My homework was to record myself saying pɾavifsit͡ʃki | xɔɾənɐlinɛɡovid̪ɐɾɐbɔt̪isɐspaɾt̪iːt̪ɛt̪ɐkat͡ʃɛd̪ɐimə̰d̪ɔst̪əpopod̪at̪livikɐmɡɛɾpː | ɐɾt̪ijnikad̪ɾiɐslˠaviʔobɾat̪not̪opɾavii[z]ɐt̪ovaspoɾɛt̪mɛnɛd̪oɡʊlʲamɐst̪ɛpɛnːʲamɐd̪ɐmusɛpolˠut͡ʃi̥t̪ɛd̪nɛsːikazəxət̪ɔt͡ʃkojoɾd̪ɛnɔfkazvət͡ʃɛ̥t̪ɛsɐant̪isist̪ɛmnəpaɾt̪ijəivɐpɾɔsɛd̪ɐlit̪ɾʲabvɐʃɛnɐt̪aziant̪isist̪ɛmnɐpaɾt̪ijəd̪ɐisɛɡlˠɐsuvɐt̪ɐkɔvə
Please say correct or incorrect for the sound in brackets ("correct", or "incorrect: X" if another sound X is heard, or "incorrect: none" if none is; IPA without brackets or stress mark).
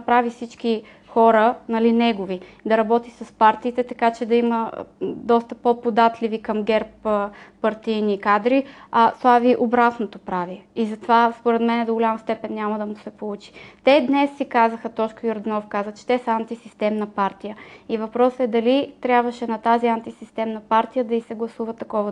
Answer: correct